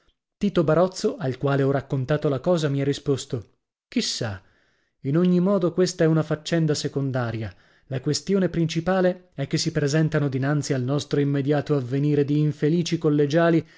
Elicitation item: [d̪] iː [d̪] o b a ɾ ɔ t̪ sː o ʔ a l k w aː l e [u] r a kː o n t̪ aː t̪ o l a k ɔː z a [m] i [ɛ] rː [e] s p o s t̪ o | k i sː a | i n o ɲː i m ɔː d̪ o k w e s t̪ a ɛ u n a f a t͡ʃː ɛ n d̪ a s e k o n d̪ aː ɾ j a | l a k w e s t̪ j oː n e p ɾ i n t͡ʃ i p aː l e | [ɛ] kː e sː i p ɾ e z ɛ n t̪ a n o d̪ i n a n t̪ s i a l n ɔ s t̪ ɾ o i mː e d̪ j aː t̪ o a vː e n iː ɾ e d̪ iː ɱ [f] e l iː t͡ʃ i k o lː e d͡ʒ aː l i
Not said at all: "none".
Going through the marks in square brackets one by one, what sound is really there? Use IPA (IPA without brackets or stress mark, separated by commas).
t̪, t̪, ɔ, m, ɛ, i, ɛ, f